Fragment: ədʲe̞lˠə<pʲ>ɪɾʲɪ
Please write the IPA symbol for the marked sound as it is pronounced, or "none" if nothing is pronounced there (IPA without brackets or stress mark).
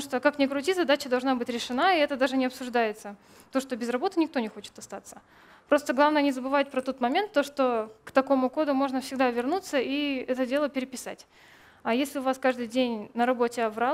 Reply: pʲ